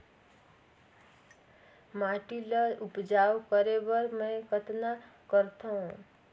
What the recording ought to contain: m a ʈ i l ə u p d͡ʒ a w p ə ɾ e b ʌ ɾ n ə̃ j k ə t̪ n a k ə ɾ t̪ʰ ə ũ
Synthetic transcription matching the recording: m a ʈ i l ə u p d͡ʒ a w k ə ɾ e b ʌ ɾ m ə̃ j k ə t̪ n a k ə ɾ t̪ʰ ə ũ